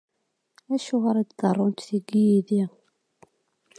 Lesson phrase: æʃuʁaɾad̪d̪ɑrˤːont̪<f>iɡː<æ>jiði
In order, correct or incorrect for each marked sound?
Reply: incorrect: θ, incorrect: i

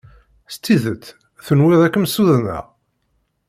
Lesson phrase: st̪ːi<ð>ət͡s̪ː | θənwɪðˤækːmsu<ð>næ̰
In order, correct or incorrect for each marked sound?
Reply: correct, correct

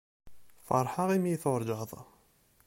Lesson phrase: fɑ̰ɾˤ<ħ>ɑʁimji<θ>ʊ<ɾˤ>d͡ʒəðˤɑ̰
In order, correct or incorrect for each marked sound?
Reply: correct, correct, correct

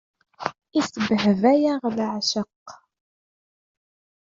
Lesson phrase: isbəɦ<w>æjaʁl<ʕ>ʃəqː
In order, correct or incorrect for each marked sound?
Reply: incorrect: v, correct

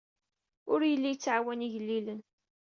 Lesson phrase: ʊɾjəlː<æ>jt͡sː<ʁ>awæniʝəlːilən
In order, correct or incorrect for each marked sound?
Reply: incorrect: i, incorrect: ʕ

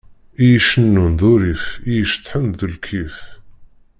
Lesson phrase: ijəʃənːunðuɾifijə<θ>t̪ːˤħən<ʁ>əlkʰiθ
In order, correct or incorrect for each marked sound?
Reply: incorrect: ʃ, incorrect: ð

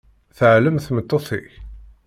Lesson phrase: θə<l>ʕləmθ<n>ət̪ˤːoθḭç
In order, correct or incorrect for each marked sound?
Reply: incorrect: none, incorrect: m

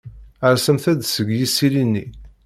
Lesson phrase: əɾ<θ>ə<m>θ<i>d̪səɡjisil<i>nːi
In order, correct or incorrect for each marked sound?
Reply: incorrect: s, correct, incorrect: æ, correct

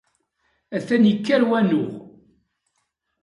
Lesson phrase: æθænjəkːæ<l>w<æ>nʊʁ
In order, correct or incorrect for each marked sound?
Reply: incorrect: ɾ, correct

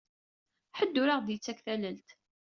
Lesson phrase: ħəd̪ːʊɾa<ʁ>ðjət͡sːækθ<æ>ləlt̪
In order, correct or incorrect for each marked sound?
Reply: correct, correct

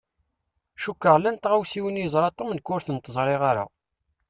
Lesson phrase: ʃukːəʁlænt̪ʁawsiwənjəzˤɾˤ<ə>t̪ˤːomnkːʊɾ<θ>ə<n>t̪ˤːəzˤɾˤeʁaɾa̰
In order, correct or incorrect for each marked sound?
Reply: incorrect: ɑ, correct, correct

